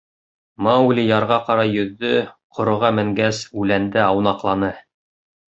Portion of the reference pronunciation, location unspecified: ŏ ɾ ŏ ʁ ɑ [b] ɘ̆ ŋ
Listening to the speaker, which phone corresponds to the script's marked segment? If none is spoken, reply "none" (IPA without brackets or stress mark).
m